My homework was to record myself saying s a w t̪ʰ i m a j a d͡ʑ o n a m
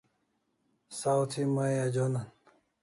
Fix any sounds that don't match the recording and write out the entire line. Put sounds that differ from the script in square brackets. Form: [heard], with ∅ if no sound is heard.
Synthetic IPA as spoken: s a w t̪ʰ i m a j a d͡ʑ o n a [n]